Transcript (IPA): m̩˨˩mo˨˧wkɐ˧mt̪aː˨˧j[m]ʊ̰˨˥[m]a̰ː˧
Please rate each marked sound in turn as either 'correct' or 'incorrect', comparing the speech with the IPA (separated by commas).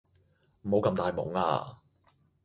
correct, incorrect